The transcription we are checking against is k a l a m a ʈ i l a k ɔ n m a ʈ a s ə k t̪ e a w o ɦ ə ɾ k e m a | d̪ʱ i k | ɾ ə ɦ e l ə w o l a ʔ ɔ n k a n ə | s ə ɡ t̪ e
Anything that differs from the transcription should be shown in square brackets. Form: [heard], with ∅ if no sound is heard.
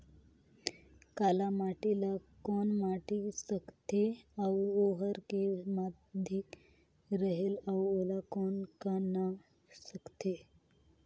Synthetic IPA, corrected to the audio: k a l a m a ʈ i l a k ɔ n m a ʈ [i] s ə k t̪ e a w o ɦ ə ɾ k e m a | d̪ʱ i k | ɾ ə ɦ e l [a] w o l a [k] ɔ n k a n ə | s ə [k] t̪ e